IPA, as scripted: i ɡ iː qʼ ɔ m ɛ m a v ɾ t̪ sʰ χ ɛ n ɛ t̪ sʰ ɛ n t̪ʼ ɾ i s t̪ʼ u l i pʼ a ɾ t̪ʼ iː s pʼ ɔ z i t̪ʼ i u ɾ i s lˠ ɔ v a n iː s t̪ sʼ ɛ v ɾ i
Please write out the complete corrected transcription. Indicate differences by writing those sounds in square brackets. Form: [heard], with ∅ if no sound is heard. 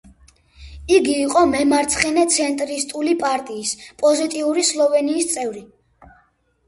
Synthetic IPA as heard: i ɡ iː qʼ ɔ m ɛ m a [∅] ɾ t̪ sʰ χ ɛ n ɛ t̪ sʰ ɛ n t̪ʼ ɾ i s t̪ʼ u l i pʼ a ɾ t̪ʼ iː s pʼ ɔ z i t̪ʼ i u ɾ i s lˠ ɔ v [ɛ] n iː s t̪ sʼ ɛ v ɾ i